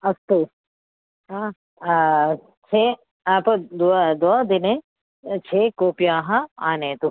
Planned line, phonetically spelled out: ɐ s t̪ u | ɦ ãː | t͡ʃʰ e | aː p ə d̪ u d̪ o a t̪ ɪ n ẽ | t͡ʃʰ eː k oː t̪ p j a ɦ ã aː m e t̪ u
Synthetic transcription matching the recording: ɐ s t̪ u | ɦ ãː | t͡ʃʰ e | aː p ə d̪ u d̪ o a d̪ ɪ n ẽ | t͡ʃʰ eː k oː p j a ɦ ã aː n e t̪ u